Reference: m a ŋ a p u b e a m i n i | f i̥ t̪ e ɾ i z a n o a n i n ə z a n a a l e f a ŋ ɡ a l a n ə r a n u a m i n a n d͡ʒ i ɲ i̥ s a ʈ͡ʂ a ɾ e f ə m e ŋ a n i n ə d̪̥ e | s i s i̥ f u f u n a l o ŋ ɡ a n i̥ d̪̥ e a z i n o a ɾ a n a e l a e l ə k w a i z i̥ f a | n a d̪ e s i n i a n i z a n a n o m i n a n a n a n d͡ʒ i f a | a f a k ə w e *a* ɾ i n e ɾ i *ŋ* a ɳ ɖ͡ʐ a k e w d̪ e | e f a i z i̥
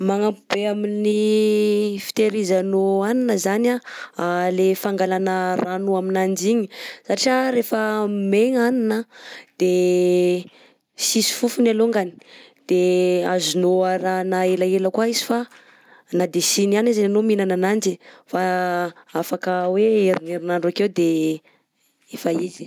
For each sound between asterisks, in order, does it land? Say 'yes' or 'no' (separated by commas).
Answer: no, no